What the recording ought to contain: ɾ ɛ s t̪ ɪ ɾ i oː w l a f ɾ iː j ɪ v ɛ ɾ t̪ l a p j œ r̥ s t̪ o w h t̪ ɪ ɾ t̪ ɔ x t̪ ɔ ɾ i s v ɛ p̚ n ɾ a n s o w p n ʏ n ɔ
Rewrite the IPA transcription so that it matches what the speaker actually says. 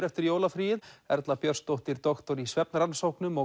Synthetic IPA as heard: ɾ ɛ f t̪ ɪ ɾ j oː w l a f ɾ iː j ɪ ð ɛ ɾ t̪ l a p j œ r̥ s t̪ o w h t̪ ɪ ɾ t̪ ɔ x t̪ ɔ ɾ i s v ɛ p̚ n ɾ a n s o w k n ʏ m ɔ